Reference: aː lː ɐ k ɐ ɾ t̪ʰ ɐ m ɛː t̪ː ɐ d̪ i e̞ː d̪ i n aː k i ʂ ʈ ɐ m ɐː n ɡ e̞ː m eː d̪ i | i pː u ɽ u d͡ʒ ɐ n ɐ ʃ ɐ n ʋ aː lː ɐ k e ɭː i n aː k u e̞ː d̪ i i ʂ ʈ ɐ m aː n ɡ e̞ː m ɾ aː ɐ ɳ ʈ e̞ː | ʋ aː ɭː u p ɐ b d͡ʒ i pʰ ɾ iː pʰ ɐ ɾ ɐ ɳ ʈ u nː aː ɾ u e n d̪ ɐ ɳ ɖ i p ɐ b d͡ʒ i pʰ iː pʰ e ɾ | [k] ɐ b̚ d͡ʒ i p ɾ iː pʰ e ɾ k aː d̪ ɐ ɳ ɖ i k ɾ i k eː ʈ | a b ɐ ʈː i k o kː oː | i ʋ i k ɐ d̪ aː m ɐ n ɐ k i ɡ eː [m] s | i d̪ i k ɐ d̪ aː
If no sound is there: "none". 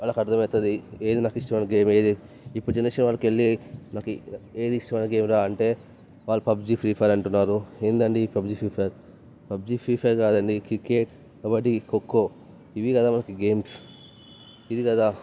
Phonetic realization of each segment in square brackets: p, m

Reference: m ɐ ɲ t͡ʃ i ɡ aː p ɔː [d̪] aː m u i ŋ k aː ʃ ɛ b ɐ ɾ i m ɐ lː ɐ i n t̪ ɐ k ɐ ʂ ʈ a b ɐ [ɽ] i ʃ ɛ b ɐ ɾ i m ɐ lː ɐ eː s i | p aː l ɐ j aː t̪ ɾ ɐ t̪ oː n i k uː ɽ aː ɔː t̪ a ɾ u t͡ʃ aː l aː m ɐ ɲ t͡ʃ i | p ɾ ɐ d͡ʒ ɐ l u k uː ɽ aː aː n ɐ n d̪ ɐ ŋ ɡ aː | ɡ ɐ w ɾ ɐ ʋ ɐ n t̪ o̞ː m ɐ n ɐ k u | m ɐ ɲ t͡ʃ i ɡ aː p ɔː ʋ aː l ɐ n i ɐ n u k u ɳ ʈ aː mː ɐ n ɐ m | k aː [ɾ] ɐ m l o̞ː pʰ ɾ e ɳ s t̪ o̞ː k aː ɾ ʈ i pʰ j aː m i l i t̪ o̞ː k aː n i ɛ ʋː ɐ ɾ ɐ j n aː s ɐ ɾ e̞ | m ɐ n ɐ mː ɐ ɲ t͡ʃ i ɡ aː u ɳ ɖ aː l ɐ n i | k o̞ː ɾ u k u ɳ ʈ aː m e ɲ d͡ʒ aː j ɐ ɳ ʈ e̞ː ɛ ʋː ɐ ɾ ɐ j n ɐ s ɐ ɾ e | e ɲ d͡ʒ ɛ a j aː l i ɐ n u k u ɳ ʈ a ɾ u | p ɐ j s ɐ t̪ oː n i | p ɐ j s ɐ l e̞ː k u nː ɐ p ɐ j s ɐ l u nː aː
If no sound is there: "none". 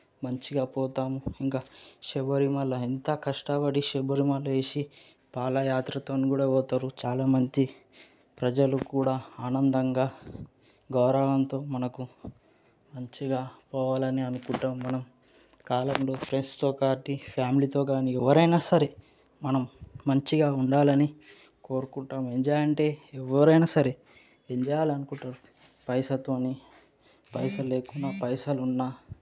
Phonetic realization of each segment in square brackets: t̪, ɽ, l

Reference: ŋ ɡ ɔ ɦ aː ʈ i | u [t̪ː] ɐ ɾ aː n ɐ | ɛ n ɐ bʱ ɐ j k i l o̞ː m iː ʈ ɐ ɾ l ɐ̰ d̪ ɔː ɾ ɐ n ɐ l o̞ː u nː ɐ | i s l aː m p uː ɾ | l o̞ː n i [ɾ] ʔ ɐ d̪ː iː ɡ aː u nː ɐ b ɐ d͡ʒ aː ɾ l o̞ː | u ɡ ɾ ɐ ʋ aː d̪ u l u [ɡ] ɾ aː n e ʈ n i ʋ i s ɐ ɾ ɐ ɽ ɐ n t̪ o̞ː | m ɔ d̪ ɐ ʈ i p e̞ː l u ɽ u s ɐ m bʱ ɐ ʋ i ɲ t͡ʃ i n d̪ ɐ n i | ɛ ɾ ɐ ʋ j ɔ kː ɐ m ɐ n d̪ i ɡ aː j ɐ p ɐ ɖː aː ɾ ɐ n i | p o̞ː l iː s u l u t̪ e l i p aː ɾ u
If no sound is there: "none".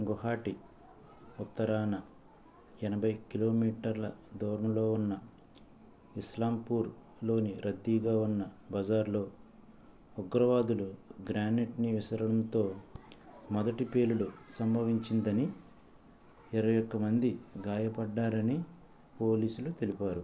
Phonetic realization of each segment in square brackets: t̪ː, ɾ, ɡ

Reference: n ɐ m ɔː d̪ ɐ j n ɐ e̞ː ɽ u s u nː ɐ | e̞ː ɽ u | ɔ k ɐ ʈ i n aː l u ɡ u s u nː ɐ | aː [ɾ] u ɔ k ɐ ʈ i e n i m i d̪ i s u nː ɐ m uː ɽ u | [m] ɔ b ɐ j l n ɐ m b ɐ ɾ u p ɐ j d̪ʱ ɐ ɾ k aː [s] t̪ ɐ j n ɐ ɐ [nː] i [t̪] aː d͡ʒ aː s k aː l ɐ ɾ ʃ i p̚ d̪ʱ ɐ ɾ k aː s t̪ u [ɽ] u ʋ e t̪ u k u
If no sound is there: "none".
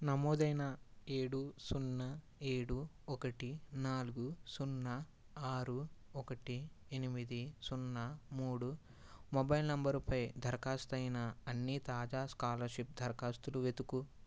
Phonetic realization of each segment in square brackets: ɾ, m, s, nː, t̪, l

